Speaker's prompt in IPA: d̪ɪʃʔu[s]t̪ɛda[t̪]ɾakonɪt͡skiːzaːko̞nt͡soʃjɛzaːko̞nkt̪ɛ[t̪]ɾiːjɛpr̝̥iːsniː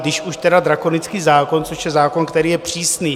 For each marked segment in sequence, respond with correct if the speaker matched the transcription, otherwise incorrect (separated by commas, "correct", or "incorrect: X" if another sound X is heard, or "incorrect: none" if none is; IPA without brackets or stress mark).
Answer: incorrect: ʃ, incorrect: d̪, incorrect: none